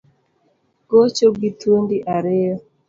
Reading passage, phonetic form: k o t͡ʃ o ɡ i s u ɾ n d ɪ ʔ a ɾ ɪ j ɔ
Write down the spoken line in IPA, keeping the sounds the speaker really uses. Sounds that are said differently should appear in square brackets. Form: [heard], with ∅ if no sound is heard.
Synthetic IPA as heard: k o t͡ʃ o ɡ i [t] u [∅] n d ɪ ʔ a ɾ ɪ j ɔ